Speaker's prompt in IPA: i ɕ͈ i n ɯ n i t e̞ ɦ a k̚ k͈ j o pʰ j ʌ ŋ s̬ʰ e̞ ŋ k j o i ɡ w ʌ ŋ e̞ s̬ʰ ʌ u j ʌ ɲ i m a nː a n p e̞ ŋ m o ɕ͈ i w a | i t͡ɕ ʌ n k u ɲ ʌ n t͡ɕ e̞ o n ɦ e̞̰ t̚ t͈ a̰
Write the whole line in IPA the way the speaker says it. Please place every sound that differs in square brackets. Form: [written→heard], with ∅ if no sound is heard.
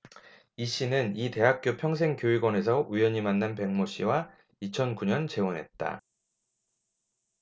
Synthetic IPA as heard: i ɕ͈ i n ɯ n i t e̞ ɦ a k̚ k͈ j o pʰ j ʌ ŋ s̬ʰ e̞ ŋ k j o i ɡ w ʌ [ŋ→n] e̞ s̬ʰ ʌ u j ʌ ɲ i m a nː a n p e̞ ŋ m o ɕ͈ i w a | i [t͡ɕ→t͡ɕʰ] ʌ n k u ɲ ʌ n t͡ɕ e̞ o n ɦ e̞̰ t̚ t͈ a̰

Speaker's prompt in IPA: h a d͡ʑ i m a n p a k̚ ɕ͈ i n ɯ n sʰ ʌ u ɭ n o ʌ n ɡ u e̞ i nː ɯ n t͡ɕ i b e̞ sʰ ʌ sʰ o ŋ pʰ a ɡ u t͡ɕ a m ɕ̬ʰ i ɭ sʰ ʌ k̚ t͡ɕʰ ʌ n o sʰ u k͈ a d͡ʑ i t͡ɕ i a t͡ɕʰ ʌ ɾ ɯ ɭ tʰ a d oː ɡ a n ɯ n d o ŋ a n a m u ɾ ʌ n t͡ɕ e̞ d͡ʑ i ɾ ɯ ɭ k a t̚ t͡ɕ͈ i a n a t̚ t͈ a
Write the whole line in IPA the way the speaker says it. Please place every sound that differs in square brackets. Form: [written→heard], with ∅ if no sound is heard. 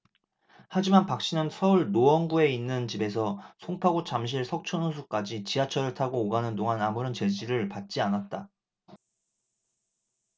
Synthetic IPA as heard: h a d͡ʑ i m a n p a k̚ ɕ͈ i n ɯ n sʰ ʌ u ɭ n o ʌ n ɡ u e̞ i nː ɯ n t͡ɕ i b e̞ sʰ ʌ sʰ o ŋ pʰ a ɡ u t͡ɕ a m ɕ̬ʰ i ɭ sʰ ʌ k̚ t͡ɕʰ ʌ n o sʰ u k͈ a d͡ʑ i t͡ɕ i a t͡ɕʰ ʌ ɾ ɯ ɭ tʰ a [d→ɡ] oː ɡ a n ɯ n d o ŋ a n a m u ɾ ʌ n t͡ɕ e̞ d͡ʑ i ɾ ɯ ɭ [k→p] a t̚ t͡ɕ͈ i a n a t̚ t͈ a

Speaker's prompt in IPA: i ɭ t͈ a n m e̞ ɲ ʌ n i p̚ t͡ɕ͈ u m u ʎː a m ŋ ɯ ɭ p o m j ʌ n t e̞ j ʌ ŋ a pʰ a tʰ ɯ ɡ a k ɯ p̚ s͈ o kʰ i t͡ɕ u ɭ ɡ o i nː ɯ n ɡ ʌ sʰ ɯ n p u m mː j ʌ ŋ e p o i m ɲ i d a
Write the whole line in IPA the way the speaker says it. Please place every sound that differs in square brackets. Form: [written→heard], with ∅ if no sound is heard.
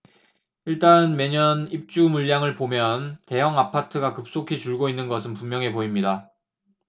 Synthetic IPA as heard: i ɭ t͈ a n m e̞ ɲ ʌ n i p̚ t͡ɕ͈ u m u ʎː a [m→∅] ŋ ɯ ɭ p o m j ʌ n t e̞ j ʌ ŋ a pʰ a tʰ ɯ ɡ a k ɯ p̚ s͈ o kʰ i t͡ɕ u ɭ ɡ o i nː ɯ n ɡ ʌ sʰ ɯ n p u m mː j ʌ ŋ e p o i m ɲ i d a

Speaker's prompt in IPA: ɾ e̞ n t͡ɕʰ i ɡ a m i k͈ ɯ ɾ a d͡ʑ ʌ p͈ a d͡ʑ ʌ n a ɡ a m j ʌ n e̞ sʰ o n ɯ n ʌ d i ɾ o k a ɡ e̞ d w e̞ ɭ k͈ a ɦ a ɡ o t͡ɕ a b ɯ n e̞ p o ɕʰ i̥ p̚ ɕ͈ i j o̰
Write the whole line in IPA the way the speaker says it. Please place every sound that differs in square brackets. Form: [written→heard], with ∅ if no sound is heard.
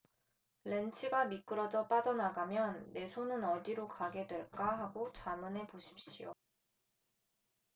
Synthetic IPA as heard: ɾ e̞ n t͡ɕʰ i ɡ a m i k͈ ɯ ɾ [a→ʌ] d͡ʑ ʌ p͈ a d͡ʑ ʌ n a ɡ a m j ʌ [n→nː] e̞ sʰ o n ɯ n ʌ d i ɾ o k a ɡ e̞ d w e̞ ɭ k͈ a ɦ a ɡ o t͡ɕ a [b→m] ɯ n e̞ p o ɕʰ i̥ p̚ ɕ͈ i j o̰

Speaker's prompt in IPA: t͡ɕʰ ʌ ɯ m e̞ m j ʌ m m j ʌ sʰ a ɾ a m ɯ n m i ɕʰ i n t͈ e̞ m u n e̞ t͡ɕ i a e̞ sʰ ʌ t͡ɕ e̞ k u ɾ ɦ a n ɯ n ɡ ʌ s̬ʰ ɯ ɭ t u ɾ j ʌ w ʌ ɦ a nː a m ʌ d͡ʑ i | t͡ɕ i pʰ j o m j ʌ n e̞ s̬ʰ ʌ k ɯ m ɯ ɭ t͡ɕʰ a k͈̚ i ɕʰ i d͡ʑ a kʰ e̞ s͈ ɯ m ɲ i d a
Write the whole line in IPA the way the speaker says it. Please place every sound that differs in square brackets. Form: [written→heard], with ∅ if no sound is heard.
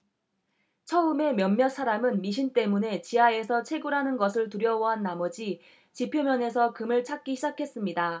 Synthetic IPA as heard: t͡ɕʰ ʌ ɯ m e̞ m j ʌ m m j ʌ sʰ a ɾ a m ɯ n m i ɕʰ i n t͈ e̞ m u n e̞ t͡ɕ i a e̞ sʰ ʌ [t͡ɕ→t͡ɕʰ] e̞ [k→ɡ] u ɾ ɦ a n ɯ n ɡ ʌ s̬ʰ ɯ ɭ t u ɾ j ʌ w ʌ ɦ a nː a m ʌ d͡ʑ i | t͡ɕ i pʰ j o m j ʌ n e̞ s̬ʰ ʌ k ɯ m ɯ ɭ t͡ɕʰ a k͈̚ i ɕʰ i d͡ʑ a kʰ e̞ s͈ ɯ m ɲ i d a

